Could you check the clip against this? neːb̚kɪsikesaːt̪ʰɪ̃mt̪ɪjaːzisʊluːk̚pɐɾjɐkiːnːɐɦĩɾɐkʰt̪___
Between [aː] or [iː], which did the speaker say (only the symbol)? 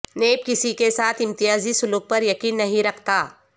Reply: aː